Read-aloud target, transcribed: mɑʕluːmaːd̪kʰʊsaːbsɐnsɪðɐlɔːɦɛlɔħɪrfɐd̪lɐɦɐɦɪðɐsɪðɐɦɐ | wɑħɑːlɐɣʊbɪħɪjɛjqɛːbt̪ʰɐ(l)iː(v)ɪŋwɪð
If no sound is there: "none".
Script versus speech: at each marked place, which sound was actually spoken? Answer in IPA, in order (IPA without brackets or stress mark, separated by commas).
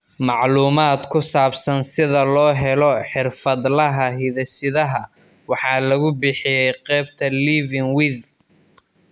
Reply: l, v